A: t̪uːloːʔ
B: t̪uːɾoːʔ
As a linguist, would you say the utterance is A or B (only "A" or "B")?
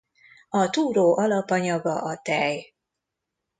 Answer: B